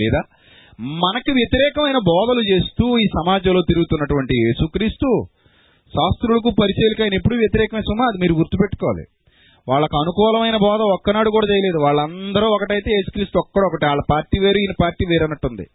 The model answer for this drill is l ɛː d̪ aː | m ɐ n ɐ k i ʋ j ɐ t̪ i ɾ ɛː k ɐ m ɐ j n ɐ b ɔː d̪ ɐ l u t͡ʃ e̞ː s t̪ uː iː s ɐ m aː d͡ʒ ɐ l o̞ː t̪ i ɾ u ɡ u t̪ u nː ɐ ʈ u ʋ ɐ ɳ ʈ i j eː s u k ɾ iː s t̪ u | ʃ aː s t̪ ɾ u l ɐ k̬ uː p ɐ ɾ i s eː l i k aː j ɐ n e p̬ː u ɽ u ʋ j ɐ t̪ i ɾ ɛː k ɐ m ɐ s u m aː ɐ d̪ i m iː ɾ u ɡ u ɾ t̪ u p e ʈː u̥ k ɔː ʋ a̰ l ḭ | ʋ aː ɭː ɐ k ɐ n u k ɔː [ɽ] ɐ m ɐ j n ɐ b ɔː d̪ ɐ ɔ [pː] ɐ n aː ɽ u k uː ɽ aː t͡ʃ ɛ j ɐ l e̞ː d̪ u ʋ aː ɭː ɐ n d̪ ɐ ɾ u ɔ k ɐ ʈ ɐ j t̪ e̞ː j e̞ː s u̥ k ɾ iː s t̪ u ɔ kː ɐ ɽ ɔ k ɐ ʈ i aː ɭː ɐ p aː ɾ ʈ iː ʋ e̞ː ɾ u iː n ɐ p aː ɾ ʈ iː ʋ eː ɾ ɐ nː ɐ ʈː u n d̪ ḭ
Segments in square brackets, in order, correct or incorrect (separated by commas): incorrect, incorrect